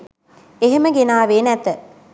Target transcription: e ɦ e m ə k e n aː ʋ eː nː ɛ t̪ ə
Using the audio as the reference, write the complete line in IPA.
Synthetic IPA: e ɦ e m ə ɡ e n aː ʋ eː n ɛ t̪ ə